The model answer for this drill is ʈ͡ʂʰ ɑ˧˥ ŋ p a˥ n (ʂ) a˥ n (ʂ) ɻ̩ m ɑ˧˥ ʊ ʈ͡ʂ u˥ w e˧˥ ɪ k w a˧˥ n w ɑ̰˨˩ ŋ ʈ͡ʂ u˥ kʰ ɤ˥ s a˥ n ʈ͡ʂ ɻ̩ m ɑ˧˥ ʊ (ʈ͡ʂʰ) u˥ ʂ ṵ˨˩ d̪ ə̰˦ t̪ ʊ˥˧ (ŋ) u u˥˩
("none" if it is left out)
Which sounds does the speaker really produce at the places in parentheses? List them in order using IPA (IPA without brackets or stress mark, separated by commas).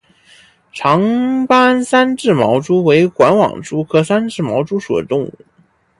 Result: s, ʈ͡ʂ, ʈ͡ʂ, ŋ